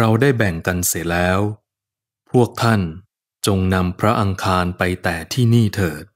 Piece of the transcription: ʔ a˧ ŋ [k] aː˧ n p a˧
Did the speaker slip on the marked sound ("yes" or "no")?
yes